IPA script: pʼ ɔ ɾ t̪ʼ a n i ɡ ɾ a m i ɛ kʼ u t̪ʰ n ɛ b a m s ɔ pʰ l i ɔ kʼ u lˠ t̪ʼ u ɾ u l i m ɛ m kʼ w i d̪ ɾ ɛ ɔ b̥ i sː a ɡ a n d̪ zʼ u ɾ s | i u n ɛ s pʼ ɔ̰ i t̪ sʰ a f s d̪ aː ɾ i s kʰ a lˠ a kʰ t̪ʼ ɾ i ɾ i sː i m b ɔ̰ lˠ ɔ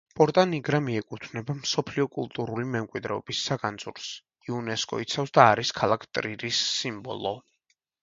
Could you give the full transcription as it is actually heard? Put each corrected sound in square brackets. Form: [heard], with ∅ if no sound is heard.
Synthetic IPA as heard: pʼ ɔ ɾ t̪ʼ a n i ɡ ɾ a m i ɛ kʼ u t̪ʰ n ɛ b a m s ɔ pʰ l i ɔ kʼ u lˠ t̪ʼ u ɾ u l i m ɛ m kʼ w i d̪ ɾ ɛ ɔ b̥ i sː a ɡ a n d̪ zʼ u ɾ s | i u n ɛ s [kʼ] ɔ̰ i t̪ sʰ a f s d̪ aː ɾ i s kʰ a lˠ a kʰ t̪ʼ ɾ i ɾ i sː i m b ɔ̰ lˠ ɔ